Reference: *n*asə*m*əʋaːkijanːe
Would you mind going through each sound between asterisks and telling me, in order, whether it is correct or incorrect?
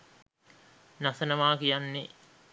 correct, incorrect

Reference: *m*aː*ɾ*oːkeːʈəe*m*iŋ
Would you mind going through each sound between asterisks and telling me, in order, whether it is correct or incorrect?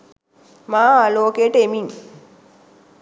correct, incorrect, correct

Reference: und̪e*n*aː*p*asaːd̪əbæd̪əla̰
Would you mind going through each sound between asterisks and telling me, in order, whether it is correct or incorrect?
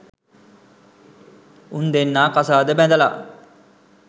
incorrect, incorrect

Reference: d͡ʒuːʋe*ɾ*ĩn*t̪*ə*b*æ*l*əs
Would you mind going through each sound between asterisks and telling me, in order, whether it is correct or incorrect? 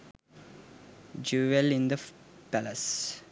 incorrect, incorrect, incorrect, correct

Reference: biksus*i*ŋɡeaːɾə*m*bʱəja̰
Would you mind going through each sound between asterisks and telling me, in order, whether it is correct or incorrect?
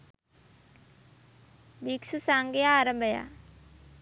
incorrect, correct

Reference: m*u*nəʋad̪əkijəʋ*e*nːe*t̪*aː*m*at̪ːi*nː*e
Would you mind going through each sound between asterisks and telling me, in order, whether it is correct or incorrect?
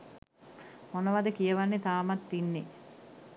incorrect, incorrect, correct, correct, correct

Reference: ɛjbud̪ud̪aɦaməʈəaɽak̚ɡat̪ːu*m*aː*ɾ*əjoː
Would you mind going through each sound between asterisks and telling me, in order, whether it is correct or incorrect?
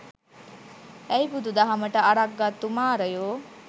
correct, correct

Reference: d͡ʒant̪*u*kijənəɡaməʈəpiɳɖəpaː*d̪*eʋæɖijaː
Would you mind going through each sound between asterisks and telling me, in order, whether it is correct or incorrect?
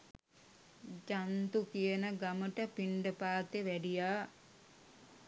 correct, incorrect

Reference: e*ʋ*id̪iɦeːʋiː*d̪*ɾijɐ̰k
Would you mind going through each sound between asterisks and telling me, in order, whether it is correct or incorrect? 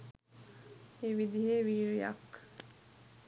correct, incorrect

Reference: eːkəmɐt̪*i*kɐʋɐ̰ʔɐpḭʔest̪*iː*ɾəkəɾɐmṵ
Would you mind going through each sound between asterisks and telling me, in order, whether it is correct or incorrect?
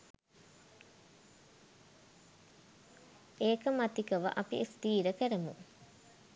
correct, correct

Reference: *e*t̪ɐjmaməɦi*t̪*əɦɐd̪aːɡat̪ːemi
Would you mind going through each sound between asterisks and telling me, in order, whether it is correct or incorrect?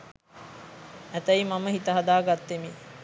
incorrect, correct

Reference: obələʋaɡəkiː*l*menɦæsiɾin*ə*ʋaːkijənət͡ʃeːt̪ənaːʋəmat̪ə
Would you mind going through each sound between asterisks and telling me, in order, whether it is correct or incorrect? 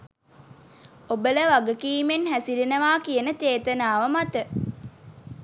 incorrect, correct

